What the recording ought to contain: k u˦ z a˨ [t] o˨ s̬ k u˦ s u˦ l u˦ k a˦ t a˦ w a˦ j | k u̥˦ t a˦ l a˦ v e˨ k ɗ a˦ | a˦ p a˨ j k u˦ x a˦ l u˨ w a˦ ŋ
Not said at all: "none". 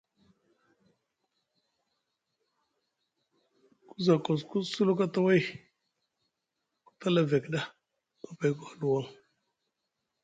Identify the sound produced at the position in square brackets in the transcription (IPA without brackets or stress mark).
k